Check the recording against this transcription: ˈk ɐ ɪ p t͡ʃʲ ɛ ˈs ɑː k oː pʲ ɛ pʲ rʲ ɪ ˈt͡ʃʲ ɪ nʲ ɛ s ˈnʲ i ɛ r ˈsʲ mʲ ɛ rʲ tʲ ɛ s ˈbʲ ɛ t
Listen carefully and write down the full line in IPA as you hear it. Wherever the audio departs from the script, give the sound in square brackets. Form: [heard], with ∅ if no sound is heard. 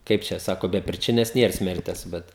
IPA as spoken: ˈk ɐ ɪ p t͡ʃʲ ɛ ˈs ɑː k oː [bʲ] ɛ pʲ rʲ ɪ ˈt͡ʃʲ ɪ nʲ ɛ s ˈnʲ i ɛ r ˈsʲ mʲ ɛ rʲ tʲ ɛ s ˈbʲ ɛ t